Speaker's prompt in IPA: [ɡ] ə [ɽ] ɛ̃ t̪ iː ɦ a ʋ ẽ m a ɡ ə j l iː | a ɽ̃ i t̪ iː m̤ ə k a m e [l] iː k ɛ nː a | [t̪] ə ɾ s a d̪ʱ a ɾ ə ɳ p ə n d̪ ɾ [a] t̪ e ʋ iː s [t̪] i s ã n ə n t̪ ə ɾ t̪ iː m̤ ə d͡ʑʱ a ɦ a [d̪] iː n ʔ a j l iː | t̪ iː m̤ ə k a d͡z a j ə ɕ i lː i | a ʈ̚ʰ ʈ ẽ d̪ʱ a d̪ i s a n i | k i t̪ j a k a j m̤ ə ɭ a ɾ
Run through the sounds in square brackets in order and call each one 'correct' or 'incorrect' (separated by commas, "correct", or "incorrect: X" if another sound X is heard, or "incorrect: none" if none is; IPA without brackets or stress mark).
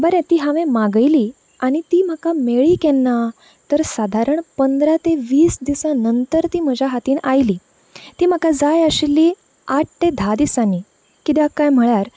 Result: incorrect: b, incorrect: ɾ, incorrect: ɭ, correct, correct, incorrect: d̪, incorrect: t̪